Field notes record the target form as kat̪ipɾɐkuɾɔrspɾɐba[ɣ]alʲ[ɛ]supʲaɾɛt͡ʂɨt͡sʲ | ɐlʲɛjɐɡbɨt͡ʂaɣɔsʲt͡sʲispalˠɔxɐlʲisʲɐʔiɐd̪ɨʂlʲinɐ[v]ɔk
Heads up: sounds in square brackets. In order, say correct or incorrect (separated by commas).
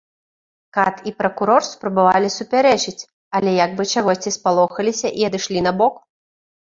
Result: incorrect, incorrect, incorrect